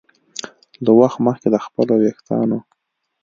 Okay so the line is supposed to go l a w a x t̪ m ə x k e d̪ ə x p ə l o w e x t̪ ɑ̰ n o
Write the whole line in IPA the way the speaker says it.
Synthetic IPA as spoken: l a w a x t̪ m ə x k e d̪ ə x p ə l o w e x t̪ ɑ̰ n o